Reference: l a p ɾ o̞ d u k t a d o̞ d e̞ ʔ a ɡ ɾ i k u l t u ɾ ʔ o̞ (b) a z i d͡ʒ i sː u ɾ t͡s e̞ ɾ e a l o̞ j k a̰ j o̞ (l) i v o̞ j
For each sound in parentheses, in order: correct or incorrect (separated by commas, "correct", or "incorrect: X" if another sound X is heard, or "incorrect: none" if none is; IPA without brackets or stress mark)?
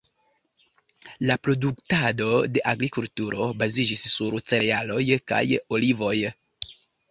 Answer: correct, correct